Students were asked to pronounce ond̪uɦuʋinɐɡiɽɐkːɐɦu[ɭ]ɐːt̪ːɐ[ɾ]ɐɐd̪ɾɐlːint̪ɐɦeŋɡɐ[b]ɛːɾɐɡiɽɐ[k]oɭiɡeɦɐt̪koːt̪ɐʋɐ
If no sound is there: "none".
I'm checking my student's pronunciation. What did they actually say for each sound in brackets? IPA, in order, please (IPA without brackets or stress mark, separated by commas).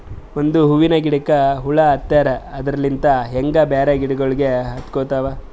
ɭ, ɾ, b, ɡ